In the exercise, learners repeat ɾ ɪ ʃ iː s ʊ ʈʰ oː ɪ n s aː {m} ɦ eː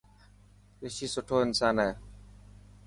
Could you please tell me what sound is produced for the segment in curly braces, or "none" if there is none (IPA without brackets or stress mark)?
n